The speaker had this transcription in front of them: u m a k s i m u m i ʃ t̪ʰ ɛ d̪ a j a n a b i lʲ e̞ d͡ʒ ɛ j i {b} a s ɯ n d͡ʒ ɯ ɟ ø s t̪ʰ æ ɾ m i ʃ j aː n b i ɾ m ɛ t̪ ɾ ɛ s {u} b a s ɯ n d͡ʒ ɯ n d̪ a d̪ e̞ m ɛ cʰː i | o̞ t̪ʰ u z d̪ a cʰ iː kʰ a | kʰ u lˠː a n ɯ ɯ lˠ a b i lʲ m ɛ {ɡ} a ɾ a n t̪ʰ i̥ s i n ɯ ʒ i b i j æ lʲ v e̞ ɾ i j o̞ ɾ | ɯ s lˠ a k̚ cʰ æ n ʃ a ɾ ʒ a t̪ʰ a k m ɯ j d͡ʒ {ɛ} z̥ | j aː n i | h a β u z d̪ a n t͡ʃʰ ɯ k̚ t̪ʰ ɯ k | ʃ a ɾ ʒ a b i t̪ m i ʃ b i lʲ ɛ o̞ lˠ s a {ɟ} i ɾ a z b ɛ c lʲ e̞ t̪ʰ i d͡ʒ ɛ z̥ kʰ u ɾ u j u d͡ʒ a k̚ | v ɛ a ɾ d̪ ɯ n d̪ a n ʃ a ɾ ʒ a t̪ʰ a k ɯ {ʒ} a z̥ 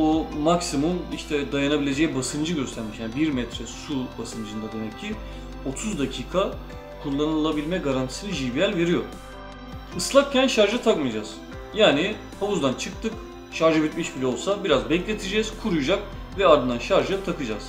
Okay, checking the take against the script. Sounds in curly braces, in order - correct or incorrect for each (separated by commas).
correct, correct, correct, incorrect, incorrect, incorrect